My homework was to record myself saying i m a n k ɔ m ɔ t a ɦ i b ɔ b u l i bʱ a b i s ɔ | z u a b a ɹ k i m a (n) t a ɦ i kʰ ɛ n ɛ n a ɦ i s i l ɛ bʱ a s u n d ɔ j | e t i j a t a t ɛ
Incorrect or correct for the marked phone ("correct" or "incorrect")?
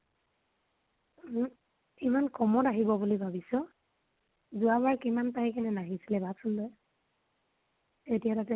correct